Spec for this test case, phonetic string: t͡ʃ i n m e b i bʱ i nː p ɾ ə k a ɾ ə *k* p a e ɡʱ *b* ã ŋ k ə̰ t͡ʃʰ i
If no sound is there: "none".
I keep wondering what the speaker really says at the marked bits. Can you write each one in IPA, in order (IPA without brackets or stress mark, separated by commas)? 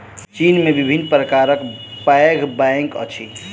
k, b